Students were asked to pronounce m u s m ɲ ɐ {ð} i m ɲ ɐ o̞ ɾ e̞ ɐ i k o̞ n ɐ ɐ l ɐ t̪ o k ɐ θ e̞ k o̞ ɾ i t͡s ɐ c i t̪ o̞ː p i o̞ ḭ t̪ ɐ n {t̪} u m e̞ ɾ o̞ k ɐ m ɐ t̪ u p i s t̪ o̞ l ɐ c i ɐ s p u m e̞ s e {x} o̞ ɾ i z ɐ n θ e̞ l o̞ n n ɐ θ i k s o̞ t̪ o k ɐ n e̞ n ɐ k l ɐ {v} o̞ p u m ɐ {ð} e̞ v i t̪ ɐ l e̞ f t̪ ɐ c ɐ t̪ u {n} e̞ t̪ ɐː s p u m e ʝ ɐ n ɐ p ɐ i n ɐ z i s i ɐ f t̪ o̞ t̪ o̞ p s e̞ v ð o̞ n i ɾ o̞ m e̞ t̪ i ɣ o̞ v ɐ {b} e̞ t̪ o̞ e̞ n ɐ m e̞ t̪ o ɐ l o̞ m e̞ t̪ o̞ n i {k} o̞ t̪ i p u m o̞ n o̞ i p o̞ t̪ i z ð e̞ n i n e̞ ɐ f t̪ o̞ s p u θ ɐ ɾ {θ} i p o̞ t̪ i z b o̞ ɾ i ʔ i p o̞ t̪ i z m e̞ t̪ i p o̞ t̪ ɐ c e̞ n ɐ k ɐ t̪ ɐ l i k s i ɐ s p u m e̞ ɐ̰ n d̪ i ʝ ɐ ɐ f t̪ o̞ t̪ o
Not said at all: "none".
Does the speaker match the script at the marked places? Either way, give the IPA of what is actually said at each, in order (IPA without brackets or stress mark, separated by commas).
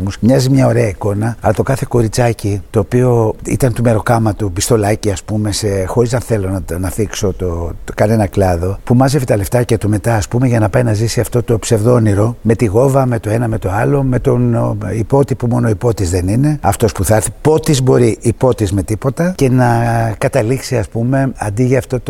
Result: z, t̪, x, ð, z, m, m, p, θ